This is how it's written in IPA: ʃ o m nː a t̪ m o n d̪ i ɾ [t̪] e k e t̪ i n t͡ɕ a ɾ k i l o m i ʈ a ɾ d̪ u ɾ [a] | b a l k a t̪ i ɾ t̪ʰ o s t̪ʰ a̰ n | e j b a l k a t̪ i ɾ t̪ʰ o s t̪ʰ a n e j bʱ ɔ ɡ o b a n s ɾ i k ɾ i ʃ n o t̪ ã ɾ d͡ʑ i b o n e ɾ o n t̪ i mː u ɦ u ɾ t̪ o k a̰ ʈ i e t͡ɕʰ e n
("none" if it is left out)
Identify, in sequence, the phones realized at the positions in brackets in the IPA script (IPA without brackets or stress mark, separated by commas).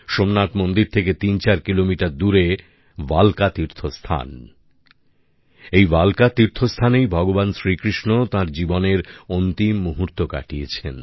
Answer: t̪ʰ, e